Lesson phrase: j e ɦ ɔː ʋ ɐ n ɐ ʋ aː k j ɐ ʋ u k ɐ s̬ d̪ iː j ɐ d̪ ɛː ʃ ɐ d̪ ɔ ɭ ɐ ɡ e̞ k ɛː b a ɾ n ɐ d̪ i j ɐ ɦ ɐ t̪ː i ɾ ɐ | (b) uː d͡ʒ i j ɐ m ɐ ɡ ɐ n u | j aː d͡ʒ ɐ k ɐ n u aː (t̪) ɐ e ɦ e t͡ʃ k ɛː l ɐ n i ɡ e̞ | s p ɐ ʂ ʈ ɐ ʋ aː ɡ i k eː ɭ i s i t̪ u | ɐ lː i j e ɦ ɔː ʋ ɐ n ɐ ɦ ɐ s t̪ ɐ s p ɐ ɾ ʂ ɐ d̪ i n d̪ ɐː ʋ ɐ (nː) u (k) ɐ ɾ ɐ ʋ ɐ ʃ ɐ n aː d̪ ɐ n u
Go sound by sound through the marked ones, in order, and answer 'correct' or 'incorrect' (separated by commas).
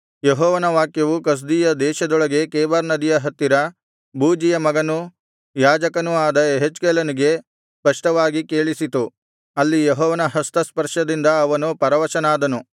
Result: correct, incorrect, incorrect, incorrect